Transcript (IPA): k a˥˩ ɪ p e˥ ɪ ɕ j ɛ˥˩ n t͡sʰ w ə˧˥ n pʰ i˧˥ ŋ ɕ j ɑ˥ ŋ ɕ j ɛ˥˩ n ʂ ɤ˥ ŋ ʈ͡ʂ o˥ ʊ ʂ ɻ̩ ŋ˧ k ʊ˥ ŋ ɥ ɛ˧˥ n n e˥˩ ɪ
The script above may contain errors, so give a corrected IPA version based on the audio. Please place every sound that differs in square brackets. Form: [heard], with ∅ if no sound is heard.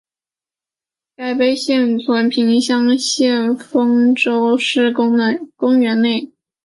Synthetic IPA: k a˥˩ ɪ p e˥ ɪ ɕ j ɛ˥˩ n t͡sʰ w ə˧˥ n pʰ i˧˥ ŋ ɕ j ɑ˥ ŋ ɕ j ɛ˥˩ n [f] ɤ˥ ŋ ʈ͡ʂ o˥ ʊ ʂ ɻ̩ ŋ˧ k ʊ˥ ŋ ɥ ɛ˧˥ n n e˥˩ ɪ